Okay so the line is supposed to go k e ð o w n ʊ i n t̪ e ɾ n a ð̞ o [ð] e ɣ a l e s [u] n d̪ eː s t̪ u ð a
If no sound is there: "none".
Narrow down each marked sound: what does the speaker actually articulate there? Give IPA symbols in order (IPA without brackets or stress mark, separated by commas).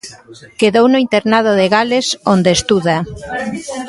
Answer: ð, o